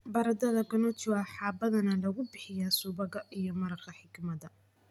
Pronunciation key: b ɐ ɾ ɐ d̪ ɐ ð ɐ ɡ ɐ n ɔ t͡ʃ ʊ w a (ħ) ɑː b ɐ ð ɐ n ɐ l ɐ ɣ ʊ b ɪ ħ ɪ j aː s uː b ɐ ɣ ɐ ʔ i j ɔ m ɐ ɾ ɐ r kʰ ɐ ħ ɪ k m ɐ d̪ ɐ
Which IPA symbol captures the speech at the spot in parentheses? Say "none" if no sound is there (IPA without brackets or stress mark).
ħ